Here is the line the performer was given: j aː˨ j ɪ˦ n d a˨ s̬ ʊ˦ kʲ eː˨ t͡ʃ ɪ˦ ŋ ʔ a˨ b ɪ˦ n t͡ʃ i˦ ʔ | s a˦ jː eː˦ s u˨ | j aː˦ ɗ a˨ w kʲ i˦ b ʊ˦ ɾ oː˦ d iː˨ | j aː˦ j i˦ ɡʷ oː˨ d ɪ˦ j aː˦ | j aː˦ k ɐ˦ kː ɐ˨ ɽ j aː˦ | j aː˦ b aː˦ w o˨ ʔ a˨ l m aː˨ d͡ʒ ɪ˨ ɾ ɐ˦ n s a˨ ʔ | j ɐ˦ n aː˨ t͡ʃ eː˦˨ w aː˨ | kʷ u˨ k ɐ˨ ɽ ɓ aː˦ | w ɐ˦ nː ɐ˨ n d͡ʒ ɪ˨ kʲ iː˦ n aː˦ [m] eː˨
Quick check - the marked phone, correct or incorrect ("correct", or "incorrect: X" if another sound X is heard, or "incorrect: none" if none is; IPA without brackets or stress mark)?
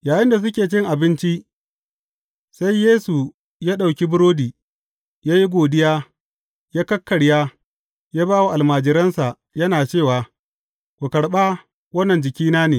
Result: incorrect: n